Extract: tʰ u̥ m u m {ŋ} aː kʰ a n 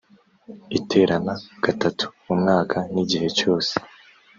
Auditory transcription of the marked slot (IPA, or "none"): ŋ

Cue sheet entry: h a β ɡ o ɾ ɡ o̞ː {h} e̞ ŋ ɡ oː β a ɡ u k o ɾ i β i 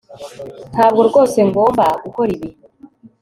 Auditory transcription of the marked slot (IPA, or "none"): s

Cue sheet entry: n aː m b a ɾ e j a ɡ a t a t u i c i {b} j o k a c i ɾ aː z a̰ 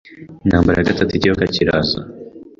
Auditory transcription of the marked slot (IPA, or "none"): none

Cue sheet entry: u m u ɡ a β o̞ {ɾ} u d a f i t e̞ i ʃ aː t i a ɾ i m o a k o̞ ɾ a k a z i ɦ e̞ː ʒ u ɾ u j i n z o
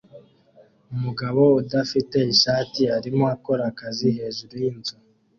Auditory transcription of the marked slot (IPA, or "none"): none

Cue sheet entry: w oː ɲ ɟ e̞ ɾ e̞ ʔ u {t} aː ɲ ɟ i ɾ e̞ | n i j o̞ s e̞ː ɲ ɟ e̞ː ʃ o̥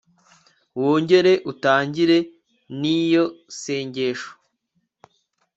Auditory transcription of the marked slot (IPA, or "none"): t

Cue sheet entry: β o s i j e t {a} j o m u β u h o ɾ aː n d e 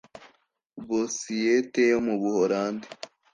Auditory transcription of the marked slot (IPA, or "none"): e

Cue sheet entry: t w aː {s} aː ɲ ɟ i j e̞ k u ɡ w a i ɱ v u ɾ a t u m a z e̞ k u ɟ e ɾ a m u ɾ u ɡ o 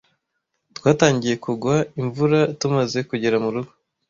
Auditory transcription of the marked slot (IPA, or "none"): t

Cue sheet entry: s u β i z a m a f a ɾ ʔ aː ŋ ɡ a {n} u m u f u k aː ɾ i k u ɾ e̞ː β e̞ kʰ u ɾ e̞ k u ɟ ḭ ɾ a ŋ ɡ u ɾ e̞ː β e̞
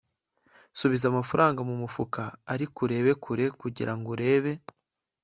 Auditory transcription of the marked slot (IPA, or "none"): m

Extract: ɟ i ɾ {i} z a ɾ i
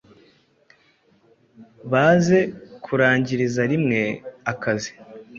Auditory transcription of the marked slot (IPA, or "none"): i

